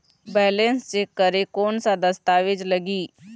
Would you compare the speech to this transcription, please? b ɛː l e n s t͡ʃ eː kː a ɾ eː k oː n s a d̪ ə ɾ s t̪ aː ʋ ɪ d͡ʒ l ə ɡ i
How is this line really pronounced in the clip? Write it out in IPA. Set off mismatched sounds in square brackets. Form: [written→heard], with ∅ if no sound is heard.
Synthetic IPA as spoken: b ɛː l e n s t͡ʃ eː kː [a→ə] ɾ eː k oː n s a d̪ ə [ɾ→∅] s t̪ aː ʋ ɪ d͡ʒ l ə ɡ [i→iː]